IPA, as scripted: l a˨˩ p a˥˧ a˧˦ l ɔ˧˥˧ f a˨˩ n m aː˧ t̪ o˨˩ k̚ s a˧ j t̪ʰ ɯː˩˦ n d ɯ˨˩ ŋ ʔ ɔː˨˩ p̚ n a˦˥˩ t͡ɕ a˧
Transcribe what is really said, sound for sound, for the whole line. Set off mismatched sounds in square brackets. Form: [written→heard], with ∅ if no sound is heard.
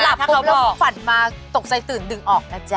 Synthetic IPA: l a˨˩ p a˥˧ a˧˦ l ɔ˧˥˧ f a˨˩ n m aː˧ t̪ o˨˩ k̚ s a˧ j [t̪ʰ→t̪] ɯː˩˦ n d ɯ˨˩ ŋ ʔ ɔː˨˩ [p̚→k̚] n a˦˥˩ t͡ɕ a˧